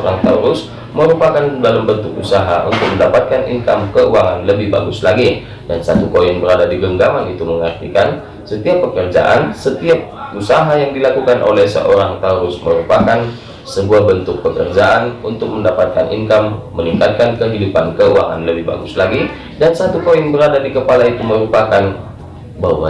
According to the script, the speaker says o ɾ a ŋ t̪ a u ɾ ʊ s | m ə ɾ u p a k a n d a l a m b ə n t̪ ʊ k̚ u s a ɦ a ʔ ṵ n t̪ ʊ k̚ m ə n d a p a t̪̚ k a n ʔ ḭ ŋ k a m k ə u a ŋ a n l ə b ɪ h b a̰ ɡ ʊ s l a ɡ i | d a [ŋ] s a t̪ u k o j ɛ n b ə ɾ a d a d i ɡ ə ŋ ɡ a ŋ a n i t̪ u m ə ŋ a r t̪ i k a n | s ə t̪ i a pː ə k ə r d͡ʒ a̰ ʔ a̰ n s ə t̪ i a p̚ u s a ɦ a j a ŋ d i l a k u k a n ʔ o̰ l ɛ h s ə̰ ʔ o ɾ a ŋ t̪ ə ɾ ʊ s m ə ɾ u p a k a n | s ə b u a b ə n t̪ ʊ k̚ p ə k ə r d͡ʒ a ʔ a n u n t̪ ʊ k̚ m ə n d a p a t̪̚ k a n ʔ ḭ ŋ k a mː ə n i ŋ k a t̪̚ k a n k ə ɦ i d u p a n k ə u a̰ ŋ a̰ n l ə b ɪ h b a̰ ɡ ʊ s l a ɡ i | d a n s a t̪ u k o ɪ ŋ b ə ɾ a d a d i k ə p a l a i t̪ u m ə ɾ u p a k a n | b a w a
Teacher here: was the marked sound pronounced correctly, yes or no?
no